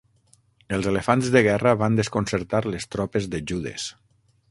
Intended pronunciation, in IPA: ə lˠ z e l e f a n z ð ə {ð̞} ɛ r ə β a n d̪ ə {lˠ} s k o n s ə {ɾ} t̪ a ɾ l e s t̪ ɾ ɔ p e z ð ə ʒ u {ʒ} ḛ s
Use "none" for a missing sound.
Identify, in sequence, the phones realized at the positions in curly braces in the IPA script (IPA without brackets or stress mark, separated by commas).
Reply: ɣ̞, none, ɾ, ð